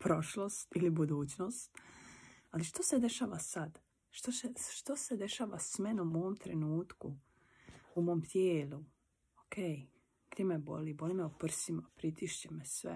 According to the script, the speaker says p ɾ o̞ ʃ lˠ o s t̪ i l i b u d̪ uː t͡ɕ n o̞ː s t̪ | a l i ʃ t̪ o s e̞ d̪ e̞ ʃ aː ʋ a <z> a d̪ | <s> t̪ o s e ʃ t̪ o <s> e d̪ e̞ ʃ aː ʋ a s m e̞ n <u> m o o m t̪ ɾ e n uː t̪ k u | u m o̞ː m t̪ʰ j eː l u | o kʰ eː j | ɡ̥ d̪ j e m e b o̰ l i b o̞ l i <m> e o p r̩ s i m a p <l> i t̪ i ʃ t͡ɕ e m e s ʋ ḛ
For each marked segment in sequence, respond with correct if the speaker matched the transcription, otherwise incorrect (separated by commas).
incorrect, incorrect, correct, correct, correct, incorrect